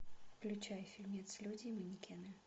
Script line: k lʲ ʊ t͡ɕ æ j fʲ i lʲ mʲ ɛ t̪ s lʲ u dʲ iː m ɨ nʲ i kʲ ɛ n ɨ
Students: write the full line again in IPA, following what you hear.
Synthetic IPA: k lʲ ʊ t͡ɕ a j fʲ i lʲ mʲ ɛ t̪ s lʲ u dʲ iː m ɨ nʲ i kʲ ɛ n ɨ